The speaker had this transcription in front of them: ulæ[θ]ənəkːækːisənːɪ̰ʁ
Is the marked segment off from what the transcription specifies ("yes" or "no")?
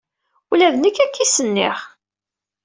yes